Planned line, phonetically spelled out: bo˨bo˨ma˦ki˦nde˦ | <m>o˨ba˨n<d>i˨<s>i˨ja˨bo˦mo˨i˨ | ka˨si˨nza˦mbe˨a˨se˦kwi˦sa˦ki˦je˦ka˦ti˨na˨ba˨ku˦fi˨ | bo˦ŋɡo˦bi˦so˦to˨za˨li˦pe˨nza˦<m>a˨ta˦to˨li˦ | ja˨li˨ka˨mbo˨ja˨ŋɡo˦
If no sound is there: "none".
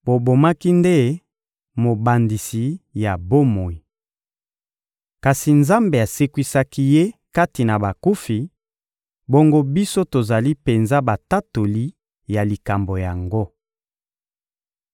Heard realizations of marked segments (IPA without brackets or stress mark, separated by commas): m, d, s, b